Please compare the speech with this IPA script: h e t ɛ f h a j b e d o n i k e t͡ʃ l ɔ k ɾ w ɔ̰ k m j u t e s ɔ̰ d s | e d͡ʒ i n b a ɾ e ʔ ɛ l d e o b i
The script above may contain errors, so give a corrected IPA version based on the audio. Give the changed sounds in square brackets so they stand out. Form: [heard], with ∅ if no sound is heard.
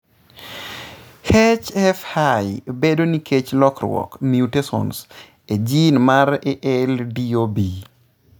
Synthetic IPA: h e [t͡ʃ] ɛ f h a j b e d o n i k e t͡ʃ l ɔ k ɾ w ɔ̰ k m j u t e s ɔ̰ [n] s | e d͡ʒ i n [m] a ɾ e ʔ ɛ l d [i] o b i